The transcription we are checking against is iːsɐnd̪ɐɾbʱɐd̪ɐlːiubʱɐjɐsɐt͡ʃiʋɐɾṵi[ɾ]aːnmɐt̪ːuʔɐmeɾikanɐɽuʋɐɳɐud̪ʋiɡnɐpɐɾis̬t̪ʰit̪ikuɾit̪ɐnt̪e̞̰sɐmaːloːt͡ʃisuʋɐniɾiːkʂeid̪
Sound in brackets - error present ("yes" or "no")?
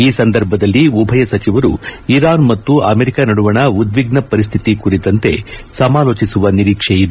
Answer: no